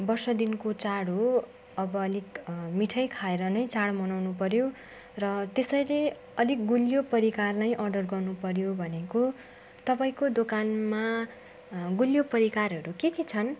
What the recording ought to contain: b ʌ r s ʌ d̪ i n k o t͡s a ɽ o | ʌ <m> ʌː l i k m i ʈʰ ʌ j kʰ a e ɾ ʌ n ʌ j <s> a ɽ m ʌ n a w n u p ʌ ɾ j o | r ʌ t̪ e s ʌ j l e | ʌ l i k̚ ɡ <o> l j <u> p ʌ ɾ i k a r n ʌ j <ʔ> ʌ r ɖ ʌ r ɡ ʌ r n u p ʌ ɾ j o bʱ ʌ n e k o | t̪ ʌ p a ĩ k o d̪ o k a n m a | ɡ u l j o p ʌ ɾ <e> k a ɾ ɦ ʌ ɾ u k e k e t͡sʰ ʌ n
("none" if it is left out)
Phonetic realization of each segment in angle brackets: b, t͡s, u, o, ʔ, i

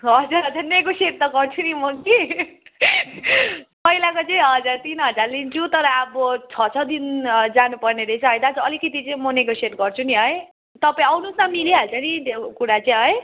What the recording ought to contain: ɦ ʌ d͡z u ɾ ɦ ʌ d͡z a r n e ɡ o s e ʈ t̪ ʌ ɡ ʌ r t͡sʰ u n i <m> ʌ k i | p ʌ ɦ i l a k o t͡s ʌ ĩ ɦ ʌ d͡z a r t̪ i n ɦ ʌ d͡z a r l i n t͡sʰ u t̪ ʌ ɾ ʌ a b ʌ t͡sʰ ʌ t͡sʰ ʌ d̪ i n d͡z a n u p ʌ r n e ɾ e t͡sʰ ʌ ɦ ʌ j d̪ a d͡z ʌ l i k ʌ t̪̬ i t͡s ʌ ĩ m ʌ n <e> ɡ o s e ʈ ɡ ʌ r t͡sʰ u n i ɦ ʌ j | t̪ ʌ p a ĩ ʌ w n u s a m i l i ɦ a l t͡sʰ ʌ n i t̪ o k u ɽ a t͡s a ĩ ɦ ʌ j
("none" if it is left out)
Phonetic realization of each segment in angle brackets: m, e

